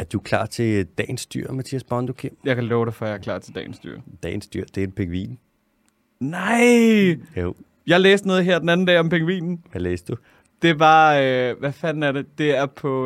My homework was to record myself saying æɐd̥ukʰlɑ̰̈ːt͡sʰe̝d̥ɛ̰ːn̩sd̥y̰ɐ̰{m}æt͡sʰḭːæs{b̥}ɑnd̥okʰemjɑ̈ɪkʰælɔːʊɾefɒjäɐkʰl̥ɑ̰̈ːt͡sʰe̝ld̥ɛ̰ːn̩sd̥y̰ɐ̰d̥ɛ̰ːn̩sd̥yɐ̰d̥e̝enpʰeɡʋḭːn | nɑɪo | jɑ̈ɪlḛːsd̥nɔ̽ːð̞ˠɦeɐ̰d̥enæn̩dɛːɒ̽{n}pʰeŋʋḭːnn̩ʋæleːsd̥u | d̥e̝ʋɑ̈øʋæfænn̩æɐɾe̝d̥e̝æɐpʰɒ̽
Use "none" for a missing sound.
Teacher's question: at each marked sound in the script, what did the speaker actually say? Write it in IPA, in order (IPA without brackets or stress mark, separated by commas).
m, b̥, m